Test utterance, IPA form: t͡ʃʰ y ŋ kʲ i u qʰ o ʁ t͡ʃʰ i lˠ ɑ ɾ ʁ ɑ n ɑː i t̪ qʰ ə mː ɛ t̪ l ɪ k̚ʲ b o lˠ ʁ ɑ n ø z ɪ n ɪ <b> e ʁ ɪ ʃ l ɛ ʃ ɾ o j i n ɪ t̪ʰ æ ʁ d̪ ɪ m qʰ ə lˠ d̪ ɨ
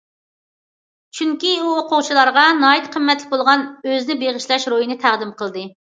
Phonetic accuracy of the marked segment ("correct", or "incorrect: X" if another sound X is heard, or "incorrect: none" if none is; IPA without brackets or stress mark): correct